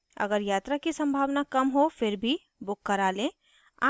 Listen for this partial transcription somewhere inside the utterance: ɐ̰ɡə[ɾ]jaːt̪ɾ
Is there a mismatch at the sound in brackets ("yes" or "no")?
no